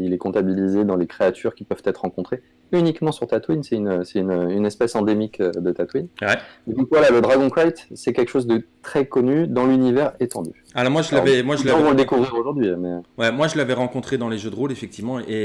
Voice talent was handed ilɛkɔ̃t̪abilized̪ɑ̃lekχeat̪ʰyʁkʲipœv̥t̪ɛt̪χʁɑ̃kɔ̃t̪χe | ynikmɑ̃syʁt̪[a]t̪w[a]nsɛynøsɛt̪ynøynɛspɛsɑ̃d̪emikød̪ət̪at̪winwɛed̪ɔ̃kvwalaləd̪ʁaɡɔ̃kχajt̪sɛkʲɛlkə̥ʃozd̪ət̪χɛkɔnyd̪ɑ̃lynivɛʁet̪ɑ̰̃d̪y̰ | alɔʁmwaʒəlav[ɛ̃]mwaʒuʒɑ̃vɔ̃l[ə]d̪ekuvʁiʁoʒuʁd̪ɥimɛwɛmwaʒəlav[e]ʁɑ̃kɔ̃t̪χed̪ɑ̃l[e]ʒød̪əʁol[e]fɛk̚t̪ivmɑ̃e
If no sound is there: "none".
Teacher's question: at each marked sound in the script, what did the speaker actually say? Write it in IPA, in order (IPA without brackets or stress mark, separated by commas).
a, i, ɛ, ə, ɛ, e, e